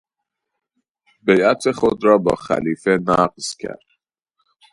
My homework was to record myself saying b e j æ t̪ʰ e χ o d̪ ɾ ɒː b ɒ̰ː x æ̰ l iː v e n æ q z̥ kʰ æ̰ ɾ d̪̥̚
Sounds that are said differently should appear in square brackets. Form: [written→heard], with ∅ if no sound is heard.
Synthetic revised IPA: b e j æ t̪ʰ e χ o d̪ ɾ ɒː b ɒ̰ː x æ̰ l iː [v→f] e n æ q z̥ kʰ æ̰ ɾ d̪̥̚